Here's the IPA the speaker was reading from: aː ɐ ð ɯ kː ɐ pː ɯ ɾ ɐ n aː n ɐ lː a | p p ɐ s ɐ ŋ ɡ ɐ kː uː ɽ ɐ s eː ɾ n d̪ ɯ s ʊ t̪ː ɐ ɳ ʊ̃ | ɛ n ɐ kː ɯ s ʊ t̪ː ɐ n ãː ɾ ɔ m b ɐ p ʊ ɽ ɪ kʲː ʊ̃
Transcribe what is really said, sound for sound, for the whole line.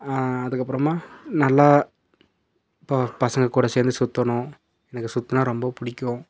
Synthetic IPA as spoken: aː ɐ ð ɯ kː ɐ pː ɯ ɾ ɐ m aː n ɐ lː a | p p ɐ s ɐ ŋ ɡ ɐ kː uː ɽ ɐ s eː ɾ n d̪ ɯ s ʊ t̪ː ɐ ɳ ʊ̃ | ɛ n ɐ kː ɯ s ʊ t̪ː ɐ n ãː ɾ ɔ m b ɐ p ʊ ɽ ɪ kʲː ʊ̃